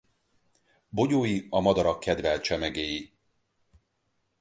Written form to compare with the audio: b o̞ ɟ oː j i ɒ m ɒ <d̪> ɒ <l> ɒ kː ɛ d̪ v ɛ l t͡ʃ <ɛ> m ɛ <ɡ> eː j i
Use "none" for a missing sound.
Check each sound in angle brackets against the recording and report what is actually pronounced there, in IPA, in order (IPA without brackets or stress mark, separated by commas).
d̪, ɾ, ɛ, ɡ